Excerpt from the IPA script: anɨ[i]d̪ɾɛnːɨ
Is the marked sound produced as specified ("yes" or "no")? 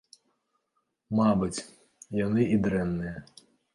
yes